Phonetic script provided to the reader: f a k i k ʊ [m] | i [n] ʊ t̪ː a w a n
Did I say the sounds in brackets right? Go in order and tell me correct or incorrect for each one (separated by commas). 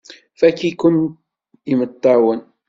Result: incorrect, incorrect